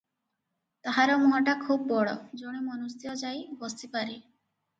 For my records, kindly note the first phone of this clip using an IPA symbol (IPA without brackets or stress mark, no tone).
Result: t̪